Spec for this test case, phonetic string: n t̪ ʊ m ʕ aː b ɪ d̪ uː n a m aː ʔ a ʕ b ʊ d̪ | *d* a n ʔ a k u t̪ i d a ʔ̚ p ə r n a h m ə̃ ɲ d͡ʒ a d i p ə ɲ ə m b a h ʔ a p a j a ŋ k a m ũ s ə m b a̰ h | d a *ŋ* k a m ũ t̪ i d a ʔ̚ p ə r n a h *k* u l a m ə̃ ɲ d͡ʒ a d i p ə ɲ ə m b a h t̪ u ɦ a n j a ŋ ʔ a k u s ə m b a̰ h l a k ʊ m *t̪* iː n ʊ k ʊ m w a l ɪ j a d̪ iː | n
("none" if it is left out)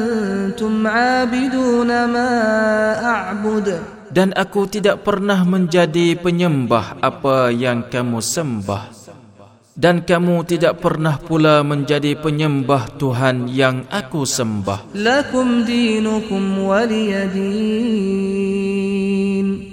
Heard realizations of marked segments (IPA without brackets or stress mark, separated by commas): d, n, p, d̪